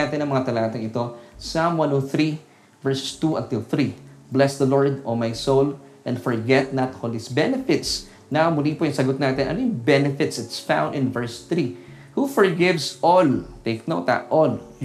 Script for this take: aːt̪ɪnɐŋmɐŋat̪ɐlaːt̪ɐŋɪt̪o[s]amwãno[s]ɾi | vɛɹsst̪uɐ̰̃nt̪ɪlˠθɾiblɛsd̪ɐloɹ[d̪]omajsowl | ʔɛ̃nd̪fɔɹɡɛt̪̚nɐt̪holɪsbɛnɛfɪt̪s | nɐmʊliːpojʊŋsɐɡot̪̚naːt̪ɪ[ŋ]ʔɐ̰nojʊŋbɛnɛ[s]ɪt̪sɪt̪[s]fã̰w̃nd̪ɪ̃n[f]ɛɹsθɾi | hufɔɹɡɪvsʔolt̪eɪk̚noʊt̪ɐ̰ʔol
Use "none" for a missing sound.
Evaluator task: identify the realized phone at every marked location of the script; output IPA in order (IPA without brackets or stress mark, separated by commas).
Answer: s, θ, d̪, n, f, s, v